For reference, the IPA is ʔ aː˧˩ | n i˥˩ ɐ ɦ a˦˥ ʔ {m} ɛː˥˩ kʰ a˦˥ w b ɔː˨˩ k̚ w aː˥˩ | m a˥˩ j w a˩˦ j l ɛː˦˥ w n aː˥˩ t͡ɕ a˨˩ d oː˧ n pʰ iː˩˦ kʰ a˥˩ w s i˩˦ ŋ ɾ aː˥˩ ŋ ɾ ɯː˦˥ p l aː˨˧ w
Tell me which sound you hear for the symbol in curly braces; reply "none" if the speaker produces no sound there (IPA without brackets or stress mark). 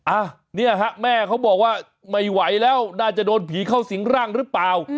m